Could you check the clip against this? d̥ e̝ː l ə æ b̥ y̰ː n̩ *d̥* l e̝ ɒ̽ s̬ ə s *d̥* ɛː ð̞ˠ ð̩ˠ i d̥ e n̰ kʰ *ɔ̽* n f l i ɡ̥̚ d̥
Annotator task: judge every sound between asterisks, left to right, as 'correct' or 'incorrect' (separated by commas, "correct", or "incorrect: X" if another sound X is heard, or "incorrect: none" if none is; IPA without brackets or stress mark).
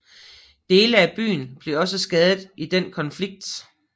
incorrect: b̥, incorrect: ɡ̥, incorrect: ɒ̽